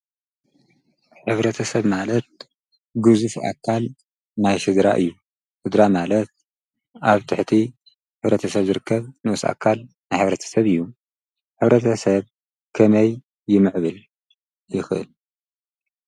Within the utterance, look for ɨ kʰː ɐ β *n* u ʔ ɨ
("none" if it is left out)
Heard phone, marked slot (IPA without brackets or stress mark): n